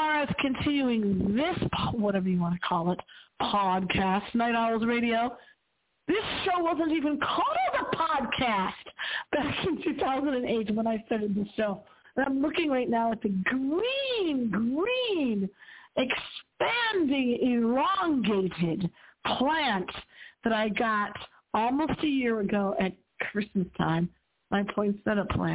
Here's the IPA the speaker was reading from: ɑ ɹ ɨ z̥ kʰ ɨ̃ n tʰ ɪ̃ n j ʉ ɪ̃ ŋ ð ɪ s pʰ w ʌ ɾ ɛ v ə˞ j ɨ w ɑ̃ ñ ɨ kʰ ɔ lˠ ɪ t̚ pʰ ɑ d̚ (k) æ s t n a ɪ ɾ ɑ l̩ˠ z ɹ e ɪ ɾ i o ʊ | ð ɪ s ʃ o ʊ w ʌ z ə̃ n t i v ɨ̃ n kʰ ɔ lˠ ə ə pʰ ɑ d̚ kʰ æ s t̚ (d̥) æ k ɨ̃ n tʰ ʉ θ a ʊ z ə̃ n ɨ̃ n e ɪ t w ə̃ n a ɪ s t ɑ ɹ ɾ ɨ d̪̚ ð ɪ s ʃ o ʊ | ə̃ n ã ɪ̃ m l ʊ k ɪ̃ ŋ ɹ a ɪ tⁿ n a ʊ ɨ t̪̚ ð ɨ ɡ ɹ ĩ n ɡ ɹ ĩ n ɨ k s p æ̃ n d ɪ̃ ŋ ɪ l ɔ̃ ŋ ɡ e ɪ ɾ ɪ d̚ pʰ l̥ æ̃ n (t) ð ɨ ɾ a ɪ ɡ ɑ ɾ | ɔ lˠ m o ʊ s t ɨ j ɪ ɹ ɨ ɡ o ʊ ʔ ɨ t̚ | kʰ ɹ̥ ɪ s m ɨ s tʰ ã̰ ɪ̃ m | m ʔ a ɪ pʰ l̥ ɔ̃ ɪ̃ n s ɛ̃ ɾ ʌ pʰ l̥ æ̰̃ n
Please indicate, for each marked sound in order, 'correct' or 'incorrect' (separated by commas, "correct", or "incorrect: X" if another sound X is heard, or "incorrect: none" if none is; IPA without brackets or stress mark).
incorrect: kʰ, incorrect: b̥, correct